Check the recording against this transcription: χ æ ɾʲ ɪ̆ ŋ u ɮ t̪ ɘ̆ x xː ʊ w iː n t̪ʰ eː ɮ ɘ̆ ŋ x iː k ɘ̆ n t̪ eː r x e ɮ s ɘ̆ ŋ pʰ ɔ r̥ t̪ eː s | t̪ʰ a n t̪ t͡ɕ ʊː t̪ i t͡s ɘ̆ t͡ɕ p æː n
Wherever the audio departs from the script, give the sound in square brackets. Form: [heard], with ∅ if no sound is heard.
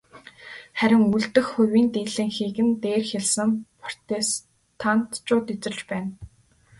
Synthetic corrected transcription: χ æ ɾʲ ɪ̆ ŋ u ɮ t̪ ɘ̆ x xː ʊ w iː n [t̪] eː ɮ ɘ̆ ŋ x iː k ɘ̆ n t̪ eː r x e ɮ s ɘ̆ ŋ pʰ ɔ r̥ t̪ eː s | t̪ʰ a n t̪ t͡ɕ ʊː t̪ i t͡s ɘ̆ t͡ɕ p æː n